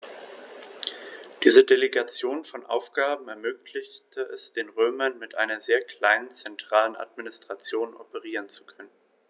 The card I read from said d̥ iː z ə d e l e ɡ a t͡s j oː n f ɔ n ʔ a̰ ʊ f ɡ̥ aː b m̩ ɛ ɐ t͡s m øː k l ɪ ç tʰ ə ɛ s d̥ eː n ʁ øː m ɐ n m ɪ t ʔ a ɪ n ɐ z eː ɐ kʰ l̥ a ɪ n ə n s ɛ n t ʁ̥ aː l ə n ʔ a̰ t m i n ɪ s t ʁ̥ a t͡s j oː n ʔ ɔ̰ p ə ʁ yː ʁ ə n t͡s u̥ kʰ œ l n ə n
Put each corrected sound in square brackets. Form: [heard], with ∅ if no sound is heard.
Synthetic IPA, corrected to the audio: d̥ iː z ə d e l e ɡ a t͡s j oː n f ɔ n ʔ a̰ ʊ f ɡ̥ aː b m̩ ɛ ɐ [∅] m øː k l ɪ ç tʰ ə ɛ s d̥ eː n ʁ øː m ɐ n m ɪ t ʔ a ɪ n ɐ z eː ɐ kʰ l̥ a ɪ n ə n [t͡s] ɛ n t ʁ̥ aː l ə n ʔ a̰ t m i n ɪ s t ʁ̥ a t͡s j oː n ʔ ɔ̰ p ə ʁ [iː] ʁ ə n t͡s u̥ kʰ œ [∅] n ə n